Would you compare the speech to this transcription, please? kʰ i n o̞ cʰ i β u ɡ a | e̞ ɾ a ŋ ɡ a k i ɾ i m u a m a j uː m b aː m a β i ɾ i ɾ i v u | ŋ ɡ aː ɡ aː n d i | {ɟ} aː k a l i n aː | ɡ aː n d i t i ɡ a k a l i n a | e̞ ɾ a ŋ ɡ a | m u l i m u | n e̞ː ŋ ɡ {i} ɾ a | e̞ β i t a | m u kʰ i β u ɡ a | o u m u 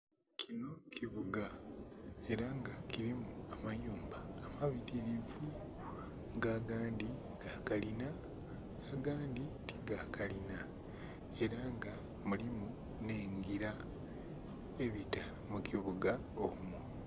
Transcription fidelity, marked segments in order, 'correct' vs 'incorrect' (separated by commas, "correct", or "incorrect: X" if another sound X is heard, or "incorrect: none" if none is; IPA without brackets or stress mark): incorrect: ɡ, correct